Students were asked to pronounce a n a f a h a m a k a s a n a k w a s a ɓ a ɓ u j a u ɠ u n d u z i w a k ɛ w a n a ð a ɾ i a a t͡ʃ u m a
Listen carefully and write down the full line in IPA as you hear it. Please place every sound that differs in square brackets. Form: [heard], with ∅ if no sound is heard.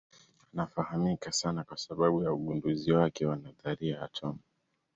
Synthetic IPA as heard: a n a f a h a m [i] k a s a n a k w a s a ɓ a ɓ u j a u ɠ u n d u z i w a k ɛ w a n a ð a ɾ i a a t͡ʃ [ɔ] m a